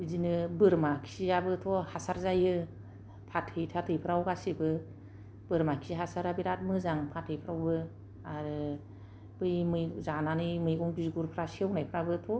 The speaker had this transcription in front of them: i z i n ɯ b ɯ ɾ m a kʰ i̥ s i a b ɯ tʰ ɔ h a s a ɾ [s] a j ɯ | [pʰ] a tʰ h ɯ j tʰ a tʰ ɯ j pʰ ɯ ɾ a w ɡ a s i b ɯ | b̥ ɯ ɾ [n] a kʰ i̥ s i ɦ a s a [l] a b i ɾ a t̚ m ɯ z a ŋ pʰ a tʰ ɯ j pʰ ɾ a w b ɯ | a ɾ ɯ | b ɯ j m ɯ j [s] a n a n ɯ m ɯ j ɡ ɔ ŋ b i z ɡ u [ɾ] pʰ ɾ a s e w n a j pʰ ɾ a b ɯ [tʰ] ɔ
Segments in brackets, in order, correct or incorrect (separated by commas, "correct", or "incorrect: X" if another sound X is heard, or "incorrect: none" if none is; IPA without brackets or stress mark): incorrect: z, correct, incorrect: m, incorrect: ɾ, incorrect: z, correct, correct